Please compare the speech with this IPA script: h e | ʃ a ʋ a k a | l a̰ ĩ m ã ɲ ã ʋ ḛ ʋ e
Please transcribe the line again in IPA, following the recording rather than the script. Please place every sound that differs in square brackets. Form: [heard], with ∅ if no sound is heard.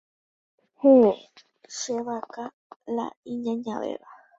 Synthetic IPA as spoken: h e | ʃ [e] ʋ a k a | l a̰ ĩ [ɲ] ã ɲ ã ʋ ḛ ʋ [a]